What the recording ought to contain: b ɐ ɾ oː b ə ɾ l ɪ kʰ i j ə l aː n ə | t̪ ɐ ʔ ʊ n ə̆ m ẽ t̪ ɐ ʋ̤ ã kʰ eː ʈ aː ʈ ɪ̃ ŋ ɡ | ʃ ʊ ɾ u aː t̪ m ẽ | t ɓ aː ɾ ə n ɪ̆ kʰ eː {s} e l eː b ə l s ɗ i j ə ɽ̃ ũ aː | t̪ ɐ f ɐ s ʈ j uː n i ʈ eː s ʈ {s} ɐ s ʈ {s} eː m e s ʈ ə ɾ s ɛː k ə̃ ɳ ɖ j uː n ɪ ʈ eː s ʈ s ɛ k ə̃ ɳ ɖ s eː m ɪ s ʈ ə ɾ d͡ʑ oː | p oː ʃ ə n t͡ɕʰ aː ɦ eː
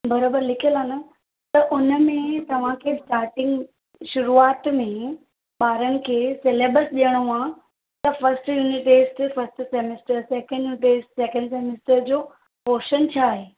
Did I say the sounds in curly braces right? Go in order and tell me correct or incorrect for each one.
correct, incorrect, correct

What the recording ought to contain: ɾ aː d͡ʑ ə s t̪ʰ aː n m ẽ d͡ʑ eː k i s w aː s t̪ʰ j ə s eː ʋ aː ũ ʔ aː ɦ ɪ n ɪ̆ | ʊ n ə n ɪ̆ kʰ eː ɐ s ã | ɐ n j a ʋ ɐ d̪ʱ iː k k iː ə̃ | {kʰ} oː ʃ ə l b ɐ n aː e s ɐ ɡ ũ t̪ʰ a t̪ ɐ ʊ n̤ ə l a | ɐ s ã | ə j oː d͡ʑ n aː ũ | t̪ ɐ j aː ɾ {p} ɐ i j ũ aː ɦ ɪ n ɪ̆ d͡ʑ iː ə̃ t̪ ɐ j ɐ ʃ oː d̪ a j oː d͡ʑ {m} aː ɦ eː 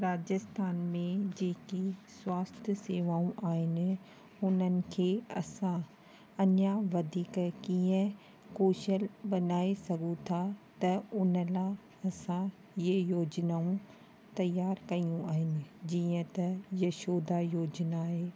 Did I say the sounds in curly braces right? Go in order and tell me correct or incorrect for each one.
incorrect, incorrect, incorrect

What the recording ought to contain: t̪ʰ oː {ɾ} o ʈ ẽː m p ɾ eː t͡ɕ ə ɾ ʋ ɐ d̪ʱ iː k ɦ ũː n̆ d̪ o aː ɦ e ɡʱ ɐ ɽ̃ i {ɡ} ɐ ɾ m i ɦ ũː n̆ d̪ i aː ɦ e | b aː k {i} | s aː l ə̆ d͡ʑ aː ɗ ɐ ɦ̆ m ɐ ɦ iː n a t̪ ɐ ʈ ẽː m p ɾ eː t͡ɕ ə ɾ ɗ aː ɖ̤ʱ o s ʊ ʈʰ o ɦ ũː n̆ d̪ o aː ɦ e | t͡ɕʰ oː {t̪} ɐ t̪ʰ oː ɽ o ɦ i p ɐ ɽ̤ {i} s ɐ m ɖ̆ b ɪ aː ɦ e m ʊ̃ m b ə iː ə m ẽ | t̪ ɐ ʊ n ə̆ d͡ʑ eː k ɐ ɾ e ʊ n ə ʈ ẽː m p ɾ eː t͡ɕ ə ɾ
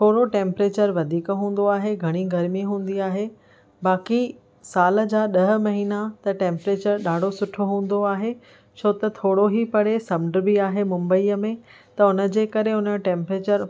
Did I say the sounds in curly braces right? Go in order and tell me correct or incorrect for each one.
incorrect, correct, correct, correct, incorrect

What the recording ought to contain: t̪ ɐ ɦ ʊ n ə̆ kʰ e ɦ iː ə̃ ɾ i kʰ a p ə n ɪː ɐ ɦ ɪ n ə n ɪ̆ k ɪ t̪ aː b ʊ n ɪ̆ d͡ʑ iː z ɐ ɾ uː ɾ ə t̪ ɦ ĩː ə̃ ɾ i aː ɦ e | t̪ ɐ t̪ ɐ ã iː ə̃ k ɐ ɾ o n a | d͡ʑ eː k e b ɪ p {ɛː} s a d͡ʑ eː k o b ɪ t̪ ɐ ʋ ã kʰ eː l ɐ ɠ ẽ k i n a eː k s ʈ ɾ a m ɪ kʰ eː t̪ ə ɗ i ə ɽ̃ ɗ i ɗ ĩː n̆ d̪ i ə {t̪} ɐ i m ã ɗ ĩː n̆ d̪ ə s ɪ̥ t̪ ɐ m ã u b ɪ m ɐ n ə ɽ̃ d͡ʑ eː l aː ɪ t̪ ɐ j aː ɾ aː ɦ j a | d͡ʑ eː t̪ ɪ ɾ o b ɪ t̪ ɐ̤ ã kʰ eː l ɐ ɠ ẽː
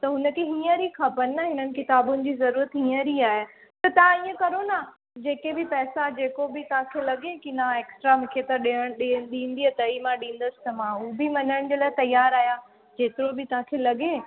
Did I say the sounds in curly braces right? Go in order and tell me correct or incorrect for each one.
correct, correct

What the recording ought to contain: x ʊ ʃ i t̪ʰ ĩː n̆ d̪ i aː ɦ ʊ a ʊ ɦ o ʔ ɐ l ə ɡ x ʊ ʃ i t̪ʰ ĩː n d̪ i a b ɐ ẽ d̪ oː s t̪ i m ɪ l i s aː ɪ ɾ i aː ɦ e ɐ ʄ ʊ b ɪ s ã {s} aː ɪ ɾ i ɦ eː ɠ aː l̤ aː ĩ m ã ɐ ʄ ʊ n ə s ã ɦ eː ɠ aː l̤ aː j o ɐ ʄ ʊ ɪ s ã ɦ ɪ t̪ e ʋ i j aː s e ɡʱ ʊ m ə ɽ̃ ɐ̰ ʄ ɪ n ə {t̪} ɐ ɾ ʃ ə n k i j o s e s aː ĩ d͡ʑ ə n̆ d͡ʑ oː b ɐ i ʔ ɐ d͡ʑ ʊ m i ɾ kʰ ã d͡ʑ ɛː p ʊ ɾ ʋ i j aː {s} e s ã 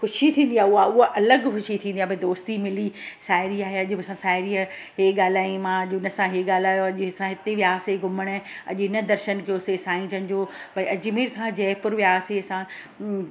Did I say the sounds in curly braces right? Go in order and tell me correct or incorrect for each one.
correct, incorrect, correct

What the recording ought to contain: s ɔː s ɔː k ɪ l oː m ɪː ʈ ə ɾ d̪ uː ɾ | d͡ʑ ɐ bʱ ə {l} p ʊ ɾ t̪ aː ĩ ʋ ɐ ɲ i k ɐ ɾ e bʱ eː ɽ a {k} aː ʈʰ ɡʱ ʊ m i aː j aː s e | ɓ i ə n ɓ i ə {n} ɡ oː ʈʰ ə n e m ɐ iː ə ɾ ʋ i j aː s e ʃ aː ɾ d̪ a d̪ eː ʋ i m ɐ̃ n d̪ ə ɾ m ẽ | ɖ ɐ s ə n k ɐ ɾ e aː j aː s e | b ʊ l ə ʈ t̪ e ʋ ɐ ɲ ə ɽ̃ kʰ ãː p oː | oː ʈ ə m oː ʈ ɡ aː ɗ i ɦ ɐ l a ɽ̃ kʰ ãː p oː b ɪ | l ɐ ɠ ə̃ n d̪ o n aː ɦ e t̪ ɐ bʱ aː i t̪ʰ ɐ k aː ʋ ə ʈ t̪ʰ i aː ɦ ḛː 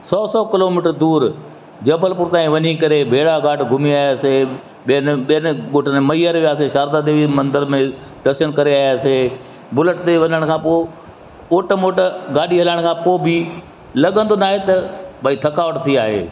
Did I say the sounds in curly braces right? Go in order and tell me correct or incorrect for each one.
correct, incorrect, correct

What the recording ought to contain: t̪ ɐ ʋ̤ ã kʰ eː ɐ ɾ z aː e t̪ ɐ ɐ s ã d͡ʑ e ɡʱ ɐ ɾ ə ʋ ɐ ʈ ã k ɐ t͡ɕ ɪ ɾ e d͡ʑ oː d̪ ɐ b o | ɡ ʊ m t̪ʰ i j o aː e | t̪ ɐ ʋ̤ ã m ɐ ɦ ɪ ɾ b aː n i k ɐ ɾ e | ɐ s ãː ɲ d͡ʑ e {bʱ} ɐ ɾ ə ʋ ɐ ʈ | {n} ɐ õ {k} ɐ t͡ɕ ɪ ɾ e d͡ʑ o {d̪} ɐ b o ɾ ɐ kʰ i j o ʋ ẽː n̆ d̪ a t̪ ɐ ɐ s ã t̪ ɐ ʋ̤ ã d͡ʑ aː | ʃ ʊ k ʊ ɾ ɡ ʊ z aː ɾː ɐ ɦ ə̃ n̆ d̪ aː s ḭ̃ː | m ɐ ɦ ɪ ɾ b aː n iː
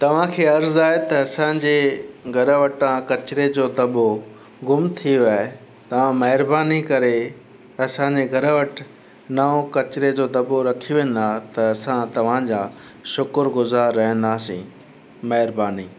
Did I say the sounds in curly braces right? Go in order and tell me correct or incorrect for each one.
incorrect, correct, correct, correct

